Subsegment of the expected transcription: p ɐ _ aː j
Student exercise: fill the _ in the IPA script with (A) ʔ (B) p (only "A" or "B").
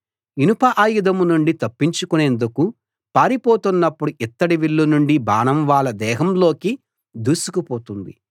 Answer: A